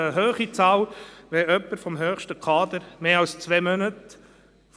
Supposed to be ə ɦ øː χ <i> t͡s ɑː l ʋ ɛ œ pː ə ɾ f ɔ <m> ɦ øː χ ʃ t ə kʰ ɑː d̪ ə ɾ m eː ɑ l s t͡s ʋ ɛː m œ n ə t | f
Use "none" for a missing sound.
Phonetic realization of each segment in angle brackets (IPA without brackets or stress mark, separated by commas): i, m